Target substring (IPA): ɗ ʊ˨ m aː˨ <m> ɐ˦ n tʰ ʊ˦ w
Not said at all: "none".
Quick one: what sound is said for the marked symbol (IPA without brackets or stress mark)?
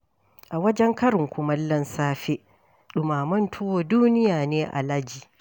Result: m